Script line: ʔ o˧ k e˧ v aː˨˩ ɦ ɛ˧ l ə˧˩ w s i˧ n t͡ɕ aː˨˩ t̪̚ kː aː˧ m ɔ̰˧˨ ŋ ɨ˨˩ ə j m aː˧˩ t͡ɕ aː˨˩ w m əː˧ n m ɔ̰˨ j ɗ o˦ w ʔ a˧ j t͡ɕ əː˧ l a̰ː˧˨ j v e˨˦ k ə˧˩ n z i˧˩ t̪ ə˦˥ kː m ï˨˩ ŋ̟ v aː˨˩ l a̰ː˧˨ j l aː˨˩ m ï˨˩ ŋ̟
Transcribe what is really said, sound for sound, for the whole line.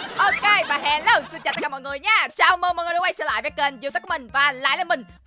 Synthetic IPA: ʔ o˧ k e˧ v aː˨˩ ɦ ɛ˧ l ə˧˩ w s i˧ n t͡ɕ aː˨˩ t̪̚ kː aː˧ m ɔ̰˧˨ ŋ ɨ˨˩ ə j ɲ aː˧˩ t͡ɕ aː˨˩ w m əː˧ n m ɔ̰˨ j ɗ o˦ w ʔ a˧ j t͡ɕ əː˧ l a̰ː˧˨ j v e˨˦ k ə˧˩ n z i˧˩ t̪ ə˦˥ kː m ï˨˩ ŋ̟ v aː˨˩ l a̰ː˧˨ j l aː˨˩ m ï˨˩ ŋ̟